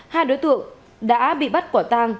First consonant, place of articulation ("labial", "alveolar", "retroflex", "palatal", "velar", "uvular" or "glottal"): glottal